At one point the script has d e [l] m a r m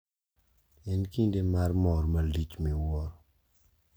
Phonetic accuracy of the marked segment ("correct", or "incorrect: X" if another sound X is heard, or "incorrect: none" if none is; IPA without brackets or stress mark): incorrect: none